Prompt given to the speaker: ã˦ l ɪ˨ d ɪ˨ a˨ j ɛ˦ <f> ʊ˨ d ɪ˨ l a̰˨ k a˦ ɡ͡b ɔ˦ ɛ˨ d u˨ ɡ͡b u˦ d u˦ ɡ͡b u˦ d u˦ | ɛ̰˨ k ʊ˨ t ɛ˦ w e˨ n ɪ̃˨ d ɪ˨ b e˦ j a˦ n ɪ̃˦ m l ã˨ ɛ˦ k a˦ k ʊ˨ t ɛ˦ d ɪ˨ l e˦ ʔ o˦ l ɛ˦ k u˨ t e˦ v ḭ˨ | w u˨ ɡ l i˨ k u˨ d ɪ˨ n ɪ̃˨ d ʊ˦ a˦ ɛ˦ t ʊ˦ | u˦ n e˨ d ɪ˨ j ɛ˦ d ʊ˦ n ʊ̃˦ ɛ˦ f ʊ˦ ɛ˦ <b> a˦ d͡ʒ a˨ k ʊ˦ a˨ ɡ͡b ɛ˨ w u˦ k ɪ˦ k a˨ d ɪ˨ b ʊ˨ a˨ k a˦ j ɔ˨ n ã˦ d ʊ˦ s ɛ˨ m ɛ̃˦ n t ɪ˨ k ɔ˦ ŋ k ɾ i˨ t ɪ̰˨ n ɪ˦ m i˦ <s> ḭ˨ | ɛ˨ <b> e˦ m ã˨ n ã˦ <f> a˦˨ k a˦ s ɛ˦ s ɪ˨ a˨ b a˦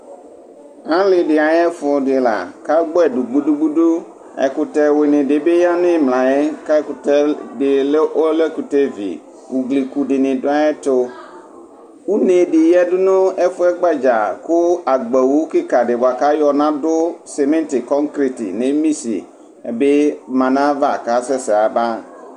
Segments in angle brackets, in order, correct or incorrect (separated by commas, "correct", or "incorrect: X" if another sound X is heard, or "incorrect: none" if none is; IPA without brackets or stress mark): correct, incorrect: ɡ͡b, correct, correct, incorrect: v